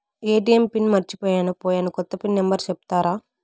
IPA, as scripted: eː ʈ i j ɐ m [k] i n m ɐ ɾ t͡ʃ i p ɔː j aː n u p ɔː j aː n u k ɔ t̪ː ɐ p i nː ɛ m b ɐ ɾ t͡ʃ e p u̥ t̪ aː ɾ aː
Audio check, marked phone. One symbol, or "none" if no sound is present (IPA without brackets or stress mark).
p